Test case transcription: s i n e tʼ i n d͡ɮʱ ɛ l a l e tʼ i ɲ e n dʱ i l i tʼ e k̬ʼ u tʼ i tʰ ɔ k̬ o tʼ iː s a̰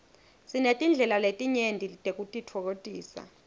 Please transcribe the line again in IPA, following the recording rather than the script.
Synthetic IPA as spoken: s i n e tʼ i n d͡ɮʱ ɛ l a l e tʼ i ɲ e n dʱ i l i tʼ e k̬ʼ u tʼ i tʰ ɔ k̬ o tʼ iː s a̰